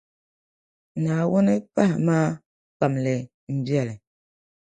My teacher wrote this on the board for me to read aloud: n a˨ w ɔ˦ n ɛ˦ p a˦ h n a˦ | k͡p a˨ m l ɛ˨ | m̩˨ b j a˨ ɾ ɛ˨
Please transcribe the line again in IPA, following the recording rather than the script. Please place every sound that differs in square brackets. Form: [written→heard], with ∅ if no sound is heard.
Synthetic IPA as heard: n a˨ w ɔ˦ n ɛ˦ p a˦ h [n→m] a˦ | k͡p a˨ m l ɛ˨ | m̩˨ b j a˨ [ɾ→l] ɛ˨

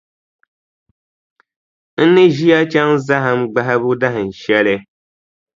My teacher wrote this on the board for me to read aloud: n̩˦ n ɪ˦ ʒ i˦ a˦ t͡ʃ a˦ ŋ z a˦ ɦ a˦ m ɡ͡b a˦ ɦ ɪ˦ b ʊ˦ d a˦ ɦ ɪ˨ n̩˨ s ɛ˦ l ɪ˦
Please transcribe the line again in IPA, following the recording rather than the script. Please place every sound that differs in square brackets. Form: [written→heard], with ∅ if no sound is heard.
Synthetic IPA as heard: n̩˦ n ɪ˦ ʒ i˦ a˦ t͡ʃ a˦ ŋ z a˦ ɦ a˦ m ɡ͡b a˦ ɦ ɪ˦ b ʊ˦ d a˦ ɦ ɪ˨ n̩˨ [s→ʃ] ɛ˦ l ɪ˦

